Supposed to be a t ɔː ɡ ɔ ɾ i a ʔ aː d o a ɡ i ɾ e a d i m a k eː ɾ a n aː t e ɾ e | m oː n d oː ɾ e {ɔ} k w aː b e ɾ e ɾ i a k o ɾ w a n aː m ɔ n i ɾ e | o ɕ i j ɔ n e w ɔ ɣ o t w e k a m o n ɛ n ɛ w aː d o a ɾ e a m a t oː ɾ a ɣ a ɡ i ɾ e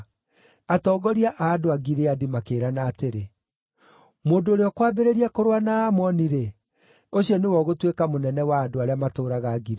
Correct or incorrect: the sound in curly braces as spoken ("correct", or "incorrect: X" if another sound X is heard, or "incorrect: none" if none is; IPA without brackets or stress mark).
correct